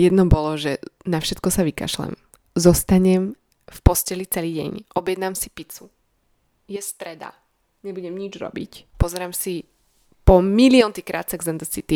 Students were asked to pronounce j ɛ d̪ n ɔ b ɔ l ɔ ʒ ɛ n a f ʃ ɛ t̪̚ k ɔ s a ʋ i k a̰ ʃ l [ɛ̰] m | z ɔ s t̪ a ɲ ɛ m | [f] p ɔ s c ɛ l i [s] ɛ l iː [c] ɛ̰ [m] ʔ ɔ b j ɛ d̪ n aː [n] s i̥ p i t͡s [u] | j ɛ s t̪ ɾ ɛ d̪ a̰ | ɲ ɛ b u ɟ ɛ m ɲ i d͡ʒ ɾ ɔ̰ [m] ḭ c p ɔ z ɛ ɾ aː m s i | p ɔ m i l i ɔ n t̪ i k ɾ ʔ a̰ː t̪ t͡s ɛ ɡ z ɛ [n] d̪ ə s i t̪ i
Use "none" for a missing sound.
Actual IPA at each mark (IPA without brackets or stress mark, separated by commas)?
ɛ̰, f, t͡s, ɟ, ɲ, m, u, b, n